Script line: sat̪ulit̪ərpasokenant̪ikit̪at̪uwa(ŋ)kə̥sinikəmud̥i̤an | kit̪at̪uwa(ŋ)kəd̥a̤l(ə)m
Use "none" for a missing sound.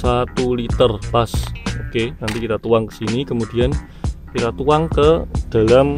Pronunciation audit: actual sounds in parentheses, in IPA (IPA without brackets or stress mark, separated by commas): ŋ, ŋ, a